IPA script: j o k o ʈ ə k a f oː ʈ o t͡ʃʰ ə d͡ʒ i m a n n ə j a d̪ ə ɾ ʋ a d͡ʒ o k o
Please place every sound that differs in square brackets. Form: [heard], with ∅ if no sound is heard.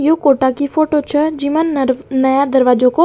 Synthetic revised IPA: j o k o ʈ [a] k [i] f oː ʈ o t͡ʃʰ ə d͡ʒ i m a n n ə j a d̪ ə ɾ ʋ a d͡ʒ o k o

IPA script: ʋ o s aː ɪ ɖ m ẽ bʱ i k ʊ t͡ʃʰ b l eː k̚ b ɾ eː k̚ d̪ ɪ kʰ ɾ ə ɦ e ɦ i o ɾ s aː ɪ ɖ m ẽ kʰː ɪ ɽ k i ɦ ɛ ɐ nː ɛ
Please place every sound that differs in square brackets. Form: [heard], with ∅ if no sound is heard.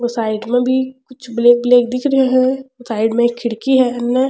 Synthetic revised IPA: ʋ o s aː ɪ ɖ m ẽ bʱ i k ʊ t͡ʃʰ b l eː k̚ b [l] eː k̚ d̪ ɪ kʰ ɾ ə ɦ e ɦ [ɛ] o [∅] s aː ɪ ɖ m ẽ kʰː ɪ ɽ k i ɦ ɛ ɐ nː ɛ

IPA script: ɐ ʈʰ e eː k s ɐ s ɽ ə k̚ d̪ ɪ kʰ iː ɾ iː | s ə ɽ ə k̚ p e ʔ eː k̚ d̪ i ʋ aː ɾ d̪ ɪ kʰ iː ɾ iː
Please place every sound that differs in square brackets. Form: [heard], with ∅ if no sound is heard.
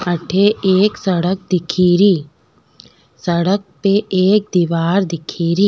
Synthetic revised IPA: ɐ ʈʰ e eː k s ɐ [∅] ɽ ə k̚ d̪ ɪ kʰ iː ɾ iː | s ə ɽ ə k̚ p e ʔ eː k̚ d̪ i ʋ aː ɾ d̪ ɪ kʰ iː ɾ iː

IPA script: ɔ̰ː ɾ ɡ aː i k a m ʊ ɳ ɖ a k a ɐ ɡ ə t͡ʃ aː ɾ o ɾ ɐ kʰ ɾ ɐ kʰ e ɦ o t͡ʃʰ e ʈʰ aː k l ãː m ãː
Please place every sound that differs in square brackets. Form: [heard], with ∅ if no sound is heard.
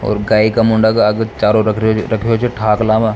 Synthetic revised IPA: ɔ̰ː ɾ ɡ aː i k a m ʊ ɳ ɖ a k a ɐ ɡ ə t͡ʃ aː ɾ o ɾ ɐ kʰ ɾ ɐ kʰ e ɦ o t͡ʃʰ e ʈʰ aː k l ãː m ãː

